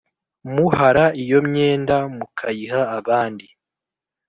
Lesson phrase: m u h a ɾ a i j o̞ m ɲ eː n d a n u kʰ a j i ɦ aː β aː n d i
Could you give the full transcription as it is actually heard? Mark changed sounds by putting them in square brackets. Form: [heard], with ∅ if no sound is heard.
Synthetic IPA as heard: m u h a ɾ a i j o̞ m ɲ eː n d a [m] u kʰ a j i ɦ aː β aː n d i